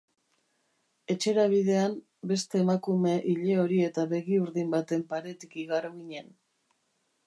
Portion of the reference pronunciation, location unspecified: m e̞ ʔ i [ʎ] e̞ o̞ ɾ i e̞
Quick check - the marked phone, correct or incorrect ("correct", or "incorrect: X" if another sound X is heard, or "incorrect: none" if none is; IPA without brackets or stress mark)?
correct